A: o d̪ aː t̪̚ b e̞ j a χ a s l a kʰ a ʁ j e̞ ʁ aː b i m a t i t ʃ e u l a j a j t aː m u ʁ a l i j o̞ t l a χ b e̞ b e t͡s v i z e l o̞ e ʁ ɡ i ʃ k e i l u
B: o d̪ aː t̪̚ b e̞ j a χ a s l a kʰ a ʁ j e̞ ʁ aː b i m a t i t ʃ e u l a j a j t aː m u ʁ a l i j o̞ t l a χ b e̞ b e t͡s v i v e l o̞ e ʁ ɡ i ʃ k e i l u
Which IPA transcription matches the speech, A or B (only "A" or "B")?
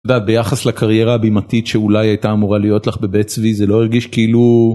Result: A